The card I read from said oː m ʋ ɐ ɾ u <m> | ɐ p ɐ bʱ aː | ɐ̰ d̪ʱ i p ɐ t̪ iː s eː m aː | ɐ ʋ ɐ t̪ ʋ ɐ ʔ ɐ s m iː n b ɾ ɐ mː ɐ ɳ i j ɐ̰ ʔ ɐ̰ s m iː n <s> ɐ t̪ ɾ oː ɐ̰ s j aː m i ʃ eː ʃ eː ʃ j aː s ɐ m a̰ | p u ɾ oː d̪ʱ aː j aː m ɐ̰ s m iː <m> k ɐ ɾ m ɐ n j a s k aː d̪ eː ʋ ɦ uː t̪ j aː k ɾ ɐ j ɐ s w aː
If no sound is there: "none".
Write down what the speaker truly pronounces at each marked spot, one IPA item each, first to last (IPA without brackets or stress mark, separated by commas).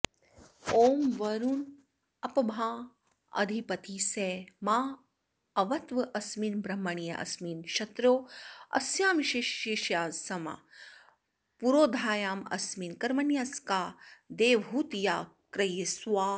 n, ʃ, n